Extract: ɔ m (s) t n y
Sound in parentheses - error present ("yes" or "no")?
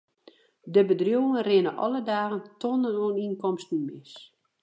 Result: no